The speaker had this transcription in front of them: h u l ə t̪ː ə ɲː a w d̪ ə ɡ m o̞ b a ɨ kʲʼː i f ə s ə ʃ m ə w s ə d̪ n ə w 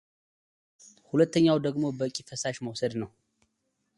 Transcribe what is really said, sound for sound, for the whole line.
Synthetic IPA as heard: h u l ə t̪ː ə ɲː a w d̪ ə ɡ m o̞ b ə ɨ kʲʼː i f ə s a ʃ m ə w s ə d̪ n ə w